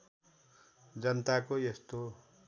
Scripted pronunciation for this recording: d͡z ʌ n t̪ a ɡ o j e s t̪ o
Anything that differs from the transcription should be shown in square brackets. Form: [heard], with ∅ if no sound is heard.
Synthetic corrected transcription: d͡z ʌ n t̪ a [k] o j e s t̪ o